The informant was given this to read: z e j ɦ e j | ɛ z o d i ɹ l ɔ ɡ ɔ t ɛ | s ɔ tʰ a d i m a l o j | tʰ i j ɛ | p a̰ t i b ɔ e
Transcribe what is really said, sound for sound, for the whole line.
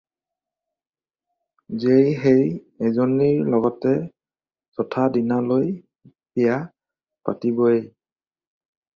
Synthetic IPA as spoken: z e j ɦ e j | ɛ z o n i ɹ l ɔ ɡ ɔ t ɛ | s ɔ tʰ a d i n a l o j | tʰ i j a | p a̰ t i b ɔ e